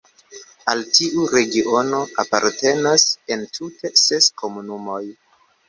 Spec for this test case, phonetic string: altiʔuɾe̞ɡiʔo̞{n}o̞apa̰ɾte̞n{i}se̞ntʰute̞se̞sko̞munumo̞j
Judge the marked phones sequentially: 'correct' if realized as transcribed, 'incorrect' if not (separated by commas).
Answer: correct, incorrect